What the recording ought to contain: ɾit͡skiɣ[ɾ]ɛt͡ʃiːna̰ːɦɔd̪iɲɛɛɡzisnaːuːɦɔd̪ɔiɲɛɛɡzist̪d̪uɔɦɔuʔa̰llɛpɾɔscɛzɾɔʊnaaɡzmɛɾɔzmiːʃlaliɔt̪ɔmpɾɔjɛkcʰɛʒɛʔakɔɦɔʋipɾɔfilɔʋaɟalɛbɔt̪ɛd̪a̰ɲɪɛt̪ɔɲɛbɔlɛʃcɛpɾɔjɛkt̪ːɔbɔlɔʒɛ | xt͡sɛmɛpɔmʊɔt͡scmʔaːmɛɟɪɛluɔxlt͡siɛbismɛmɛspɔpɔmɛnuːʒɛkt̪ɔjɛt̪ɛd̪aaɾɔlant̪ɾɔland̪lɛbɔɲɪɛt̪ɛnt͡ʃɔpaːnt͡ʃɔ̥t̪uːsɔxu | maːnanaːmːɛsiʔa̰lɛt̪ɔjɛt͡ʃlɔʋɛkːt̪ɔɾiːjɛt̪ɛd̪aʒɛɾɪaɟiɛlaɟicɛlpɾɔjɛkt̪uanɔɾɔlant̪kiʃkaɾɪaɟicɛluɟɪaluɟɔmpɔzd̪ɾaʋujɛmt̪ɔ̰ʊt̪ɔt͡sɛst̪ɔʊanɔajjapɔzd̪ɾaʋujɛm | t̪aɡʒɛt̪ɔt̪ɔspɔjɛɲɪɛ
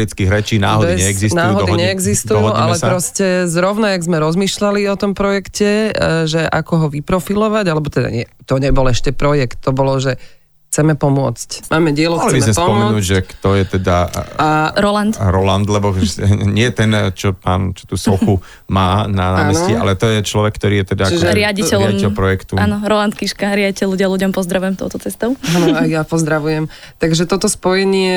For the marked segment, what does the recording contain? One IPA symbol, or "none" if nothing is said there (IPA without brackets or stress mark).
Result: ɾ